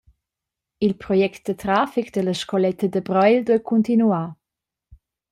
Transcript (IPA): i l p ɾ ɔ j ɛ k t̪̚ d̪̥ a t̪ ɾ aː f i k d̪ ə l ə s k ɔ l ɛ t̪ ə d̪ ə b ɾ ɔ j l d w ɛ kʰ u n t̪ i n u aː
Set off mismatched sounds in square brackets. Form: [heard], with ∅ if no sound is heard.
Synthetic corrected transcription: i l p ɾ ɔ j ɛ k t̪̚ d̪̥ [ə] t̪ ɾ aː f i k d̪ ə l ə [ʃ] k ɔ l ɛ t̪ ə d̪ ə b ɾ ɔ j l d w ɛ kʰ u n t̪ i n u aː